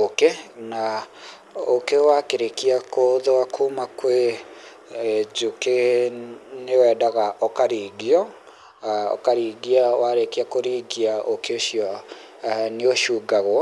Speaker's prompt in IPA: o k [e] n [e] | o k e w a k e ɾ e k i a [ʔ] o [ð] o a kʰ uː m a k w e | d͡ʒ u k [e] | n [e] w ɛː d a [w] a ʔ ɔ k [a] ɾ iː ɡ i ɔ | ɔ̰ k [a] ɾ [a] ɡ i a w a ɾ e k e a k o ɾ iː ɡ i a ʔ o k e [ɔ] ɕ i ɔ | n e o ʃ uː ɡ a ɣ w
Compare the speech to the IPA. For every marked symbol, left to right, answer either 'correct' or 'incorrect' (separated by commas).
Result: correct, incorrect, incorrect, correct, correct, correct, incorrect, correct, correct, incorrect, incorrect